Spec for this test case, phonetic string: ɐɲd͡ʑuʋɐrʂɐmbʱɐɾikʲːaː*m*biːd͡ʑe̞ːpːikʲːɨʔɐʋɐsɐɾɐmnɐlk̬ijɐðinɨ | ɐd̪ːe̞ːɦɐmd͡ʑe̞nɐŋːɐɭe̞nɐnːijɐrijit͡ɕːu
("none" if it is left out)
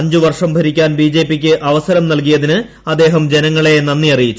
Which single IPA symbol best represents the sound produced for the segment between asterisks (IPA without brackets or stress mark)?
n